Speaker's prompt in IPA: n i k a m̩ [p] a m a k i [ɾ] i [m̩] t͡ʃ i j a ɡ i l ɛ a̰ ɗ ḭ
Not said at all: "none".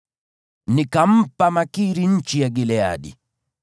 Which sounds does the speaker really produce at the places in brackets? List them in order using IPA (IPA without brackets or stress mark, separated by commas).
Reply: p, ɾ, ɲ̩